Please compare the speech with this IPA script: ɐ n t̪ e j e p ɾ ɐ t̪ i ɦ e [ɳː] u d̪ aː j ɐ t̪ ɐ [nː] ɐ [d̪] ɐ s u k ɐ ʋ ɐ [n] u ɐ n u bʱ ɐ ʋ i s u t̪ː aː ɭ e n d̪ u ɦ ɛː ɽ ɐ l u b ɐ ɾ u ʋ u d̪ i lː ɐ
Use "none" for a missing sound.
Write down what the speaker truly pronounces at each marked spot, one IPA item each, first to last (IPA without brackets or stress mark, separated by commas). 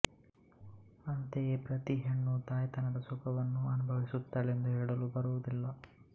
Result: ɳː, n, d̪, nː